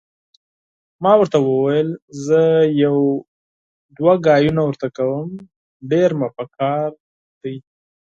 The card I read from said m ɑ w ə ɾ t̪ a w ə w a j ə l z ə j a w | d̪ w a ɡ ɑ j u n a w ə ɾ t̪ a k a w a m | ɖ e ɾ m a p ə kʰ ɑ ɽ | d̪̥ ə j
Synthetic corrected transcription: m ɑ w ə ɾ t̪ a w ə w a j ə l z ə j a w | d̪ w a ɡ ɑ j u n a w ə ɾ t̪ a k a w ə m | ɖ e ɾ m a p ə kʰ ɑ ɾ | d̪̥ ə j